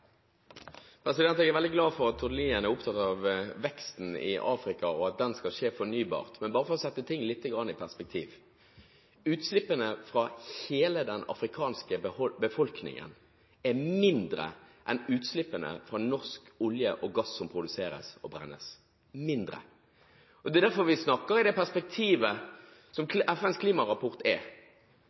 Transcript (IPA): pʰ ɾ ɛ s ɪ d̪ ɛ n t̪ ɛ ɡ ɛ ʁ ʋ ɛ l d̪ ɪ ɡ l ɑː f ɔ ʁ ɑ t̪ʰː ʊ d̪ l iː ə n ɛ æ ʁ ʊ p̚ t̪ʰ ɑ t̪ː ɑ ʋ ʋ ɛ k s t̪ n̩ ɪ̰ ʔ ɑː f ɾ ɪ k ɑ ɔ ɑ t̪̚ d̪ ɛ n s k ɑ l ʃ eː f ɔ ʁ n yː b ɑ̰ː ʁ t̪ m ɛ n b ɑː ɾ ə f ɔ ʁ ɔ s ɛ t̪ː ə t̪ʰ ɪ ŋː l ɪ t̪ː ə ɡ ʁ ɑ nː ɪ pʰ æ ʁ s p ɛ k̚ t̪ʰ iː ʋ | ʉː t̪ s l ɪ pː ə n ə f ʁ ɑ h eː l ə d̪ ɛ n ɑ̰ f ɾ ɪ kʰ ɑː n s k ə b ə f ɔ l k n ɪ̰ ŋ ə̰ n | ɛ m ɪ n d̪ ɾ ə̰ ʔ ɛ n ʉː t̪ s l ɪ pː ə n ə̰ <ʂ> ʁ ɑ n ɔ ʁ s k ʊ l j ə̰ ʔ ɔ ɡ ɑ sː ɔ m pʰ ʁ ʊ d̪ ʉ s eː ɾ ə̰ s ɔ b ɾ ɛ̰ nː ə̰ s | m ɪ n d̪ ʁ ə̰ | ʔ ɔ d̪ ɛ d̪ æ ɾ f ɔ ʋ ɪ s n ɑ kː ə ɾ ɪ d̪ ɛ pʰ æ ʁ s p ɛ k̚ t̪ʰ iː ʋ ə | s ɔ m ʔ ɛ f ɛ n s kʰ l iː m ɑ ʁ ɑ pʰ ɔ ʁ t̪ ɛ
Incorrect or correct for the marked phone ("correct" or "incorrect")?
incorrect